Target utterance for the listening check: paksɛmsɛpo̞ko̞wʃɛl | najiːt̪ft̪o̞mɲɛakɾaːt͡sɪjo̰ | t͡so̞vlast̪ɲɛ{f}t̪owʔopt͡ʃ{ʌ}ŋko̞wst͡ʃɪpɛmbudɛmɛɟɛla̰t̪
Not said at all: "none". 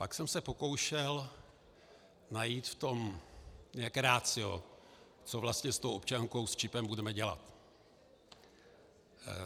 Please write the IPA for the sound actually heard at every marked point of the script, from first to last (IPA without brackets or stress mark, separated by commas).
s, a